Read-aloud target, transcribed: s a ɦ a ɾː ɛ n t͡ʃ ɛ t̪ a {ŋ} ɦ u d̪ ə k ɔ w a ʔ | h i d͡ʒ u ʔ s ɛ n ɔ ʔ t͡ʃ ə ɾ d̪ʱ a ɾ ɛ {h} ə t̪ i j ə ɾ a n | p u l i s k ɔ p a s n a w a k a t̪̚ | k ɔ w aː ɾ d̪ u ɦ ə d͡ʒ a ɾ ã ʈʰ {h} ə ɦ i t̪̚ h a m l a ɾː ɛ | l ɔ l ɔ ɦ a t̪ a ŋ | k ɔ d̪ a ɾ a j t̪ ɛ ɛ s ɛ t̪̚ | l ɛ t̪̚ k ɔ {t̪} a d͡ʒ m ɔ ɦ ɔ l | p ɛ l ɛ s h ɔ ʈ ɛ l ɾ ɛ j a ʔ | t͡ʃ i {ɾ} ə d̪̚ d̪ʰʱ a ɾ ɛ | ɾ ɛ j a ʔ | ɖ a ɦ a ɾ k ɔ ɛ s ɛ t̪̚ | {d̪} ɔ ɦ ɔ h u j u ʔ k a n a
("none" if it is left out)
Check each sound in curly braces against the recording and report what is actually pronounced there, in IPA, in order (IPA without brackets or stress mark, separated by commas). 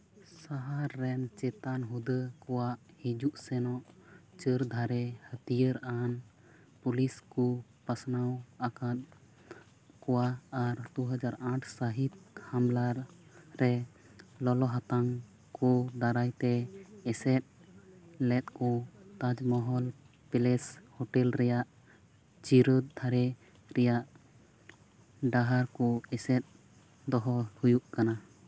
n, h, s, t̪, ɾ, d̪